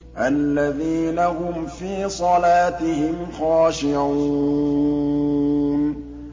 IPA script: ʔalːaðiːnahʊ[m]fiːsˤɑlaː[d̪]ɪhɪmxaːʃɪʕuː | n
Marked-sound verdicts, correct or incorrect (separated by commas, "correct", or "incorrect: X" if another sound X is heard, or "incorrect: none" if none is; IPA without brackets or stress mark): correct, incorrect: t̪